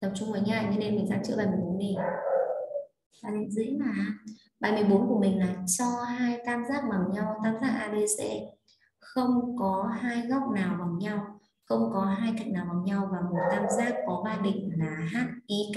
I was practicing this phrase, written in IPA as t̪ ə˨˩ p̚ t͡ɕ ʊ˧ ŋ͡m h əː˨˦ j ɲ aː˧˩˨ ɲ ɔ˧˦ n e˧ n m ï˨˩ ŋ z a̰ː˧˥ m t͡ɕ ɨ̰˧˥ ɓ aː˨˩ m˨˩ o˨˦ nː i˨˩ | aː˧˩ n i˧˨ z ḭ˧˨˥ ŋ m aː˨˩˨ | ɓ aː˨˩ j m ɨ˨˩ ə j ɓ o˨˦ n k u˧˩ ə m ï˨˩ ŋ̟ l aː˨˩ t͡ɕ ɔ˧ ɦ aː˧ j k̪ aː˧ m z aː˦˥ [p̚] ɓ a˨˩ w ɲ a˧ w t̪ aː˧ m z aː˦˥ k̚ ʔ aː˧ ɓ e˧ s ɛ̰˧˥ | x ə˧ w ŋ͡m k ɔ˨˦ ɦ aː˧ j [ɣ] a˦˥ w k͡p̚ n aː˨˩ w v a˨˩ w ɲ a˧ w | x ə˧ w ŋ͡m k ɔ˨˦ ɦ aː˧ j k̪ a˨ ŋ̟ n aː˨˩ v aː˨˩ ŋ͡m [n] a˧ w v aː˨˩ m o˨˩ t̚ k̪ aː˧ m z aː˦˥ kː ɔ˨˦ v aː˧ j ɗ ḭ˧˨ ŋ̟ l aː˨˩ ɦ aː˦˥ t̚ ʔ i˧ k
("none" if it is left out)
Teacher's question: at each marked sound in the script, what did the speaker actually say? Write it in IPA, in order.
k̚, ɣ, ɲ

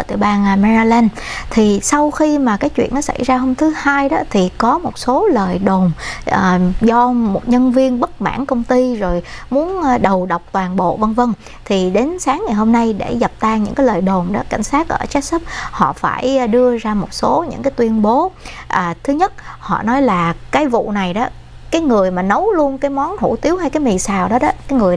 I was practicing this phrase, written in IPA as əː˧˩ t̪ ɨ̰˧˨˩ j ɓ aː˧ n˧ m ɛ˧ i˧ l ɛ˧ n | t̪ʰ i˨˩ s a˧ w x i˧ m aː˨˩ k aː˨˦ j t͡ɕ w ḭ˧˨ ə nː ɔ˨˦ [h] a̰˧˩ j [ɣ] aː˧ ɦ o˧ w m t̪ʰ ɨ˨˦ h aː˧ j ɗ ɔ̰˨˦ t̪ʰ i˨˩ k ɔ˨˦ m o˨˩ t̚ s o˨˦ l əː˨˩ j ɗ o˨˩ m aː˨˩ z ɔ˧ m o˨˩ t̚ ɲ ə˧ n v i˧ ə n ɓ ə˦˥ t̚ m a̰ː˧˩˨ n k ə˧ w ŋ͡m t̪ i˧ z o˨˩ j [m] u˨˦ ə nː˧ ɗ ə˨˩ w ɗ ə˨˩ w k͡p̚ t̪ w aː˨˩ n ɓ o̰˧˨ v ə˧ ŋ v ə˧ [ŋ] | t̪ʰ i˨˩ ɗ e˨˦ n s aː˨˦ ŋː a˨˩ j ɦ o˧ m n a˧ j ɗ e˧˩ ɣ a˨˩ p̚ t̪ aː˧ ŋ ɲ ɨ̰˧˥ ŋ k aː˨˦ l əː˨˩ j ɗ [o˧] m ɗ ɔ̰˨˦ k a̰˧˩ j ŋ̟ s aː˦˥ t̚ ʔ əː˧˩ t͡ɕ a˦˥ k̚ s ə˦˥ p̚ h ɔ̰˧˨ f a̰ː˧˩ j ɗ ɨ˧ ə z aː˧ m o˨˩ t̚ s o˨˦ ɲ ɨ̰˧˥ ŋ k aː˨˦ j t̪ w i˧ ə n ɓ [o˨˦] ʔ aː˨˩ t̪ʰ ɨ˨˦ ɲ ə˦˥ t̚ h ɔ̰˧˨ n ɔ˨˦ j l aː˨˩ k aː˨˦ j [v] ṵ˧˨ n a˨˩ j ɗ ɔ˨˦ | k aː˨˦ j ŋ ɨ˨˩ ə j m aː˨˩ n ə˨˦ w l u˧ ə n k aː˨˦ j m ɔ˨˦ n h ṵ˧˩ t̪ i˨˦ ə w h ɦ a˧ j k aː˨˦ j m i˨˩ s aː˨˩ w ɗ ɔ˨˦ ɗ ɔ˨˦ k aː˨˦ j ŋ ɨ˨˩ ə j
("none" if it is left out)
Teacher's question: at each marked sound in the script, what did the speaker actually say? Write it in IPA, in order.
s, z, m, ŋ, o˨˩, o˨˦, v

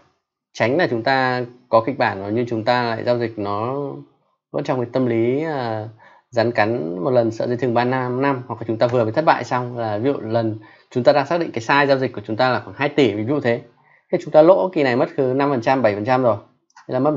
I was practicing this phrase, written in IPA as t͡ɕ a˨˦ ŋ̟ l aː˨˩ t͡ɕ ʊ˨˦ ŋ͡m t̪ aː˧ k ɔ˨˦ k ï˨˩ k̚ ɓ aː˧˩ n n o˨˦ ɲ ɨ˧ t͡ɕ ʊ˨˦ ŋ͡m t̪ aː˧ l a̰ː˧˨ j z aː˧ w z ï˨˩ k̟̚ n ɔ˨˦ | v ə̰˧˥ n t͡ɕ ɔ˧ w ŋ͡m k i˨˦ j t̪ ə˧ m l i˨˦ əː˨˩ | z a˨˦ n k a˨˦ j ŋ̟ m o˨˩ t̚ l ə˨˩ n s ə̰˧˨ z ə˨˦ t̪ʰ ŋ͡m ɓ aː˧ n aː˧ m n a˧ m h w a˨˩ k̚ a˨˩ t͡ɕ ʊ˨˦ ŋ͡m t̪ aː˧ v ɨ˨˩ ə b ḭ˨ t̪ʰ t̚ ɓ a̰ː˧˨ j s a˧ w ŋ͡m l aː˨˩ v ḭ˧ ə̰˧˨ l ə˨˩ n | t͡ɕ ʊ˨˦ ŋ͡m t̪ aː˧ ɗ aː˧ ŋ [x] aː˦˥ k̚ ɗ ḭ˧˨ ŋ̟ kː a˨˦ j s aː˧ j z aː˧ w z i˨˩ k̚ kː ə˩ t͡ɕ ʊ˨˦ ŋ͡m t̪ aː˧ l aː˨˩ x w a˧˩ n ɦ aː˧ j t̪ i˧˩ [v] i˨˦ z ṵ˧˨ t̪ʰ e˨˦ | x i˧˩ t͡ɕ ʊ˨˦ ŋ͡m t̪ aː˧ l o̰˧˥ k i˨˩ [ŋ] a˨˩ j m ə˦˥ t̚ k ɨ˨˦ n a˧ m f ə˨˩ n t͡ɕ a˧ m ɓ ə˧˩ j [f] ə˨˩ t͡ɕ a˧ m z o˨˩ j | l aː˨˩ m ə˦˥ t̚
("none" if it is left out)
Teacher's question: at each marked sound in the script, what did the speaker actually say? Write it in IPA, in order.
s, v, n, f

